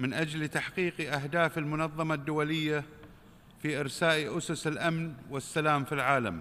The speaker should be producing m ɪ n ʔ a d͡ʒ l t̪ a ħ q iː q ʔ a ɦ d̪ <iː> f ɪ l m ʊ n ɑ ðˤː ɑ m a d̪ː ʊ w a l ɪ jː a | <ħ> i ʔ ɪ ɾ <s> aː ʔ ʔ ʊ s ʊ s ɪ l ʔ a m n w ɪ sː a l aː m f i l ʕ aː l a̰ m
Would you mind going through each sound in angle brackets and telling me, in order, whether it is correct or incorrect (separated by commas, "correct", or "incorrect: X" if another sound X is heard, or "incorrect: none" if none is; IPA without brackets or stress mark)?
incorrect: aː, incorrect: f, correct